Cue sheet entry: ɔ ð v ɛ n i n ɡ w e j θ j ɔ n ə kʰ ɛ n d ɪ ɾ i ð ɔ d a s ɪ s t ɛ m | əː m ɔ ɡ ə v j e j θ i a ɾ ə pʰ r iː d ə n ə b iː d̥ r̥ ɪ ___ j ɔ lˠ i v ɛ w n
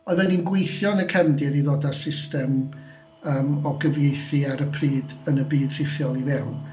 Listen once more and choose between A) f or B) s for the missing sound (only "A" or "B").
A